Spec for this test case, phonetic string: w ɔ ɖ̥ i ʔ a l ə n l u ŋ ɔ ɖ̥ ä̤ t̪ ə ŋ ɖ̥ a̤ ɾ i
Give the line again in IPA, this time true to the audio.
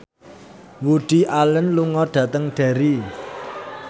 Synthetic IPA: w u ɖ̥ i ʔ a l ə n l u ŋ ɔ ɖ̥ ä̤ t̪ ə ŋ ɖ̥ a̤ ɾ i

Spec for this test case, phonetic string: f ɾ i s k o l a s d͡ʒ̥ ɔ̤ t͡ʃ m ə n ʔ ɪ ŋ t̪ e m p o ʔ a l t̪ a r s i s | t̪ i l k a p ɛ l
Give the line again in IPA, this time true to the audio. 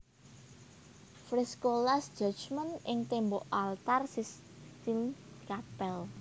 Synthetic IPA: f ɾ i s k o l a s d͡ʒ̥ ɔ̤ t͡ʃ m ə n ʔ ɪ ŋ t̪ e m b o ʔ a l t̪ a r s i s | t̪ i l k a p ɛ l

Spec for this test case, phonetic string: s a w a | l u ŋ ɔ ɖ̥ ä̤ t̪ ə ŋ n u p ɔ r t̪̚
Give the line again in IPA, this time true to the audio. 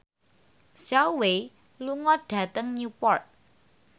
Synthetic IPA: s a w e | l u ŋ ɔ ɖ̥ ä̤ t̪ ə ŋ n u p ɔ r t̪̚

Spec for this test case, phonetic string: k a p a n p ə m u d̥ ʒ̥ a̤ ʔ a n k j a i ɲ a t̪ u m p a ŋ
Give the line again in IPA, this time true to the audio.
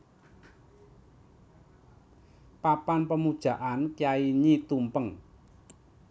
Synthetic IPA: p a p a n p ə m u d̥ ʒ̥ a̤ ʔ a n k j a i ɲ i t̪ u m p ə ŋ

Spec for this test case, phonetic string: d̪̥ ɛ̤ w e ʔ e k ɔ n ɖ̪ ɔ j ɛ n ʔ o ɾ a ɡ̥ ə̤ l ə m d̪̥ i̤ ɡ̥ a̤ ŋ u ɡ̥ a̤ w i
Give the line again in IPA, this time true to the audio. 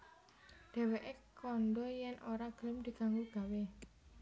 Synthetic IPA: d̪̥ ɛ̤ w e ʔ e k ɔ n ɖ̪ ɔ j ɛ n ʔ o ɾ a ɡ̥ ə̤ l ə m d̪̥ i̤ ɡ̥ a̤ ŋ u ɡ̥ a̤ w e

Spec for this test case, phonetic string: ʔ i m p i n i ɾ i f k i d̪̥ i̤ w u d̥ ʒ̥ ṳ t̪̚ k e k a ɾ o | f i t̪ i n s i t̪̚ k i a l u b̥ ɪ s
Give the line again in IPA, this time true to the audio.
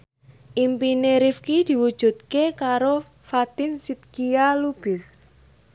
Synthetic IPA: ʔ i m p i n e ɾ i f k i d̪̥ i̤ w u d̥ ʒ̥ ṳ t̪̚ k e k a ɾ o | f a t̪ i n s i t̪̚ k i a l u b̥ ɪ s

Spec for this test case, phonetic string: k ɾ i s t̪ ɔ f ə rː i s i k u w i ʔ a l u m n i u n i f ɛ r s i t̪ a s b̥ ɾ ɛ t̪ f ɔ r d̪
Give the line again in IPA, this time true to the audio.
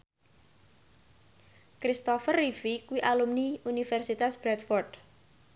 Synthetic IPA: k ɾ i s t̪ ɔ f ə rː i f i k u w i ʔ a l u m n i u n i f ɛ r s i t̪ a s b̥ ɾ ɛ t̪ f ɔ r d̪

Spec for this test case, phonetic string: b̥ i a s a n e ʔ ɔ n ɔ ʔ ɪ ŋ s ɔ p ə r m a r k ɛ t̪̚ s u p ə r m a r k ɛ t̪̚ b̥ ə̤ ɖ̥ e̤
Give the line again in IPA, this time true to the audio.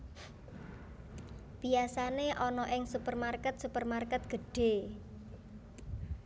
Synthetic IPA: b̥ i a s a n e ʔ ɔ n ɔ ʔ ɪ ŋ s u p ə r m a r k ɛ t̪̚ s u p ə r m a r k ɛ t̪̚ ɡ̥ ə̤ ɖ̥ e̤

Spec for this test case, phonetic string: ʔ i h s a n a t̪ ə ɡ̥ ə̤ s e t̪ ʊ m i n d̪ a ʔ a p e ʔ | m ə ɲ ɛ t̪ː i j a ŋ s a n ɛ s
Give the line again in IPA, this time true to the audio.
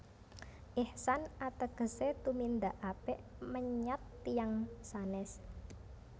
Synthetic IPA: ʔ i h s a n a t̪ ə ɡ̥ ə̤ s e t̪ u m i n d̪ a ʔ a p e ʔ | m ə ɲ a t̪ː i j a ŋ s a n ɛ s

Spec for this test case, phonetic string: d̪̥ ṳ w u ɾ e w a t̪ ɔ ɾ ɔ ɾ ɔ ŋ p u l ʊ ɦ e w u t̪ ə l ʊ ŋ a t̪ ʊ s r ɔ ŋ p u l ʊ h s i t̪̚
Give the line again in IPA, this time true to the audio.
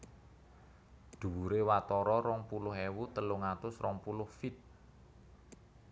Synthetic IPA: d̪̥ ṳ w u ɾ e w a t̪ ɔ ɾ ɔ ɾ ɔ ŋ p u l ʊ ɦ e w u t̪ ə l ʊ ŋ a t̪ ʊ s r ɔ ŋ p u l ʊ h f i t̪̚

